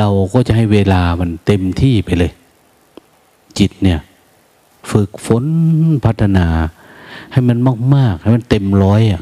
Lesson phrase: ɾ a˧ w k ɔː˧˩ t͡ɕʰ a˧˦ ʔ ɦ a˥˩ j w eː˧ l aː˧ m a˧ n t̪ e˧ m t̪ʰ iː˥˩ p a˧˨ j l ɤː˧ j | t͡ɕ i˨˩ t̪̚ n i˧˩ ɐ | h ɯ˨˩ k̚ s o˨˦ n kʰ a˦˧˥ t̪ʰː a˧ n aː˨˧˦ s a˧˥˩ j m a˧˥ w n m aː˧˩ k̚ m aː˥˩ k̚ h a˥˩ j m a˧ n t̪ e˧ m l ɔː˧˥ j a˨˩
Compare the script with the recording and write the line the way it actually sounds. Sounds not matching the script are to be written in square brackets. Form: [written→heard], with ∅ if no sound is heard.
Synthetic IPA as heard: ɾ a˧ w k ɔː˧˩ [t͡ɕʰ→t͡ɕ] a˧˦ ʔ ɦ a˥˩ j w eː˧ l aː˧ m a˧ n t̪ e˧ m t̪ʰ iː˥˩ p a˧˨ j l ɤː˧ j | t͡ɕ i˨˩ t̪̚ n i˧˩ ɐ | [h→f] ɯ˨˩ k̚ [s→f] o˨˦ n [kʰ→pʰ] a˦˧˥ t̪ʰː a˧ n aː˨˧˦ [s→h] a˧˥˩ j m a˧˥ [w→∅] n m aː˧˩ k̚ m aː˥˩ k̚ h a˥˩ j m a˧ n t̪ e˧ m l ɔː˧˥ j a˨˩